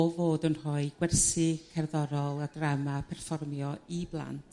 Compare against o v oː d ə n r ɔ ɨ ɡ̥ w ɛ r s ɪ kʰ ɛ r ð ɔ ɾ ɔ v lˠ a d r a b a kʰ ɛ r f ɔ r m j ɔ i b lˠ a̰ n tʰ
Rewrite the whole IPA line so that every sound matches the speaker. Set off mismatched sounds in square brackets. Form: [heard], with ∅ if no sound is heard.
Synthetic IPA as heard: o v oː d ə n r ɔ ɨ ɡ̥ w ɛ r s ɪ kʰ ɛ r ð ɔ ɾ ɔ [∅] lˠ a d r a [m] a [pʰ] ɛ r f ɔ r m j ɔ i b lˠ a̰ n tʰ